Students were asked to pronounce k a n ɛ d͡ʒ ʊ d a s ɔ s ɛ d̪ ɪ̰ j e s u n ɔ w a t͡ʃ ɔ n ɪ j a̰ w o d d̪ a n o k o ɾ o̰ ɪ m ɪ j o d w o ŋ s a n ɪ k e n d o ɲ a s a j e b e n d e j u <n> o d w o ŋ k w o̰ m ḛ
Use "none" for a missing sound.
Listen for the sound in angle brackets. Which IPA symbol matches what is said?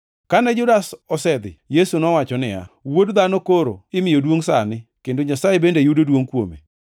d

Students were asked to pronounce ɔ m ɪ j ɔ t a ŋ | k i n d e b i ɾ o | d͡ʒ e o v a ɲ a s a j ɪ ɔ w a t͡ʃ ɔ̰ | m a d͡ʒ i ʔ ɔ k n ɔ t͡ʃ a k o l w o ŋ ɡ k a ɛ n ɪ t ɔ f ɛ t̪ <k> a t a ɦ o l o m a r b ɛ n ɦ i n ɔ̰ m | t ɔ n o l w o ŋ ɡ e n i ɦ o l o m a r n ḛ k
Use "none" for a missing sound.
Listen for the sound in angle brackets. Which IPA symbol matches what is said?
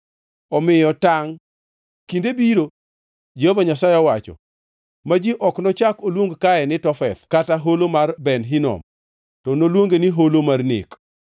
k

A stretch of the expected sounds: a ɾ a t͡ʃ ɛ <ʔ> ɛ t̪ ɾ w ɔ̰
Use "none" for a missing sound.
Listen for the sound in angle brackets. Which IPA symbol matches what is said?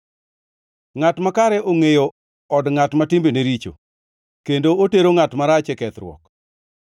k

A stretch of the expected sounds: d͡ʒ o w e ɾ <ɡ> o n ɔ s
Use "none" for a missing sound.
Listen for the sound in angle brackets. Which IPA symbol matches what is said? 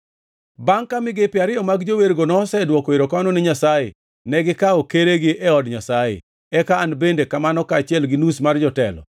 ɡ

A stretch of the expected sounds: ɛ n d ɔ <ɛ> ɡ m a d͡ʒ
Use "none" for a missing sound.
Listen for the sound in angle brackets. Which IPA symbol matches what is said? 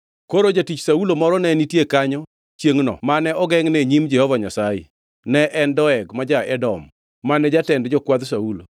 ɛ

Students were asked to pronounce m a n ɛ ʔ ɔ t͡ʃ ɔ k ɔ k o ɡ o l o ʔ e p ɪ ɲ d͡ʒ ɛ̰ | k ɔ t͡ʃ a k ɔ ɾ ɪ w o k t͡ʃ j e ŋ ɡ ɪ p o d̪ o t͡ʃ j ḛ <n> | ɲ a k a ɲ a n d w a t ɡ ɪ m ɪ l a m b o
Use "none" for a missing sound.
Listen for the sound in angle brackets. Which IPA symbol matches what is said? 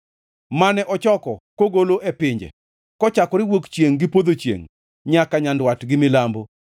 ŋ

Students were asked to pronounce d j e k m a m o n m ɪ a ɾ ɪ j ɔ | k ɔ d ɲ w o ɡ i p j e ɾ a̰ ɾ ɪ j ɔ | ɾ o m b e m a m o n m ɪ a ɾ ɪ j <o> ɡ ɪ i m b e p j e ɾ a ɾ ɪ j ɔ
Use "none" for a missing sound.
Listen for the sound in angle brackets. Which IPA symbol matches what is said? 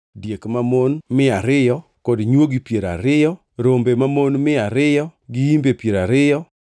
ɔ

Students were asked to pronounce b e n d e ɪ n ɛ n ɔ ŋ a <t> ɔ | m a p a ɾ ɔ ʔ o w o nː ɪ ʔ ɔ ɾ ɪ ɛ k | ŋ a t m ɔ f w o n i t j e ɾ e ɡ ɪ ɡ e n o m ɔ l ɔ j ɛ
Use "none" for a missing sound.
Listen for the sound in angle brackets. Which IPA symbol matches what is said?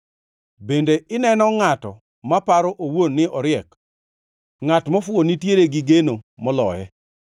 t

